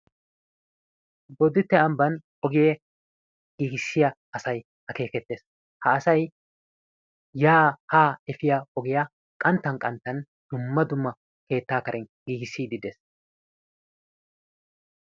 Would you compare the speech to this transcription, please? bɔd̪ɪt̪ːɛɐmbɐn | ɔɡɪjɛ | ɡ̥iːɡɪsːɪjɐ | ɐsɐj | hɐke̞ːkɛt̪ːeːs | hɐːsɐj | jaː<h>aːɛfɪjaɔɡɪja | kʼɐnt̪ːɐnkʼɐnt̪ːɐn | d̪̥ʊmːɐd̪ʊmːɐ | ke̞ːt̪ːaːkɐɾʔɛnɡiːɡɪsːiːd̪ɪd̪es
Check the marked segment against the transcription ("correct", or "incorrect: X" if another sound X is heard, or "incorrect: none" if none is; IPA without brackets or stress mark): correct